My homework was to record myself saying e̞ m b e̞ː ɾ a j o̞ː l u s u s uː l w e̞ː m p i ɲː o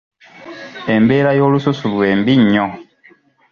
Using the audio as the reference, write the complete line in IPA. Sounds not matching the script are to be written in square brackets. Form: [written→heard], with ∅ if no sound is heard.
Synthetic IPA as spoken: e̞ m b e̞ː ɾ a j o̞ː l u s u s [uː→u] l w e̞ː m [p→b] i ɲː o